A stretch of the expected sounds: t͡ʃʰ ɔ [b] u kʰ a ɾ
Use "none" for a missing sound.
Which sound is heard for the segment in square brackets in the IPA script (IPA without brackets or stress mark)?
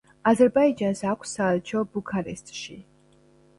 b